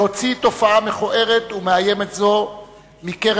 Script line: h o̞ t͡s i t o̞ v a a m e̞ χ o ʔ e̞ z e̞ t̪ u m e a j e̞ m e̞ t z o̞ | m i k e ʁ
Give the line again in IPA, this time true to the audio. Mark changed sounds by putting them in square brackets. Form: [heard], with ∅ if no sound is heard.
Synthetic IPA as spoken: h o̞ t͡s i t o̞ [f] a a m e̞ χ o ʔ e̞ [ʁ] e̞ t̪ u m e a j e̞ m e̞ t z o̞ | m i k e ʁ